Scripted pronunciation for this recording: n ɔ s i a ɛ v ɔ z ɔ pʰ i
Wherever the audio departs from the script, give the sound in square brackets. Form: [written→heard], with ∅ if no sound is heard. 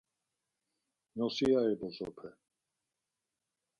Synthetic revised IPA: n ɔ s i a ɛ [v→b] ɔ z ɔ pʰ [i→ɛ]